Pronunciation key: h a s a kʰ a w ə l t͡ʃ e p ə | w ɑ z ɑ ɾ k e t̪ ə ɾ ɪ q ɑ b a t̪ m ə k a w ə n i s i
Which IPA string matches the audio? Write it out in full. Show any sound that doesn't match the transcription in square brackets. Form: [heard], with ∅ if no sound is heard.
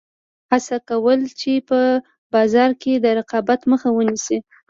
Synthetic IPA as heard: h a s a [k] a w ə l t͡ʃ e p ə | [b] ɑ z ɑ ɾ k e [d̪] ə ɾ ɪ q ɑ b a t̪ m ə [x] a w ə n i s i